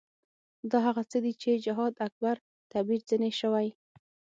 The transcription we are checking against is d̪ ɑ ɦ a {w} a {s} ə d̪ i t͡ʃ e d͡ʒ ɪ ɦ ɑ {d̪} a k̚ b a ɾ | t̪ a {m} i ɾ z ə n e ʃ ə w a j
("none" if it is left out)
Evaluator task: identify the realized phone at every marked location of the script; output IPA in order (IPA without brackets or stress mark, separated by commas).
ɣ, t͡s, d̪, b